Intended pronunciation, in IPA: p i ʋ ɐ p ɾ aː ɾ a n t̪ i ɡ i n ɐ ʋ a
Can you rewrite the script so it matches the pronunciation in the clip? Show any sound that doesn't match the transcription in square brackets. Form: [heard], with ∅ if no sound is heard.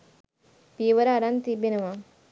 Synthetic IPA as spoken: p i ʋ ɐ [∅] ɾ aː ɾ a n t̪ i [b] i n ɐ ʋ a

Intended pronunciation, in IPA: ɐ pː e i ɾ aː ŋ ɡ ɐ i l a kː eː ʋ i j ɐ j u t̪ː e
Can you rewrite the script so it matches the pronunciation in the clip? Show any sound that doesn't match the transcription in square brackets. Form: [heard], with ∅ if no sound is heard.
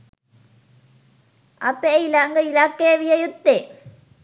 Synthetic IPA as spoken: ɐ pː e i [l] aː ŋ ɡ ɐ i l a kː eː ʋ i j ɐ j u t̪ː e

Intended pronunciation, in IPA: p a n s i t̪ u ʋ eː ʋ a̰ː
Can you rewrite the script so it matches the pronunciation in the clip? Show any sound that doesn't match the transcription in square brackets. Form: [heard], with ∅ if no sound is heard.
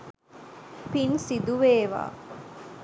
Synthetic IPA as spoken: p [i] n s i [d̪] u ʋ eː ʋ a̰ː

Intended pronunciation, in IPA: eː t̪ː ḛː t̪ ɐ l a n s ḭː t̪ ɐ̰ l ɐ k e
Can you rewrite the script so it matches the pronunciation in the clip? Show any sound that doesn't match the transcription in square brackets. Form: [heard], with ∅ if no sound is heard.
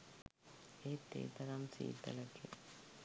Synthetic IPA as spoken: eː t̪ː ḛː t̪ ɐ [ɾ] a [m] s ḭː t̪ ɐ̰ l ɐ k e

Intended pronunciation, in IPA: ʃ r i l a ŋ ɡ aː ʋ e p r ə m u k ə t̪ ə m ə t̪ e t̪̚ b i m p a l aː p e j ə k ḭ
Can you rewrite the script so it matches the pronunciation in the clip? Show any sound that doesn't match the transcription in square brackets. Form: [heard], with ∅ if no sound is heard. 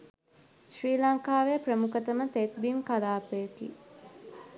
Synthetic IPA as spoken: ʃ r [iː] l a ŋ [k] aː ʋ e p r ə m u k ə t̪ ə m ə t̪ e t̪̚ b i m [k] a l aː p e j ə k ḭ

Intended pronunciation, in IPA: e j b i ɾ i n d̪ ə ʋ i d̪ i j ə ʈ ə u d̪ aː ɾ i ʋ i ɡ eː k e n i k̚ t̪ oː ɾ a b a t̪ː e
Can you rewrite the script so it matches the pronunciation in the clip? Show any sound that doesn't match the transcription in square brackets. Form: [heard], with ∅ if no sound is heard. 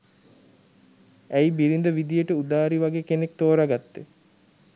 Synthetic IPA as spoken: [æ] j b i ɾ i n d̪ ə ʋ i d̪ i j ə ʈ ə u d̪ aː ɾ i ʋ [a] ɡ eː k e n [e] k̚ t̪ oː ɾ a [ɡ] a t̪ː e

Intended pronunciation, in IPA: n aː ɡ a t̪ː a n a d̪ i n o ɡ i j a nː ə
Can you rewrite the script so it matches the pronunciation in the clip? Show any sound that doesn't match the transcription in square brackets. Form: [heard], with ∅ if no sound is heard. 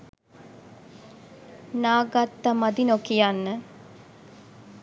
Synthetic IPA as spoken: n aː ɡ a t̪ː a [m] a d̪ i n o [k] i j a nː ə

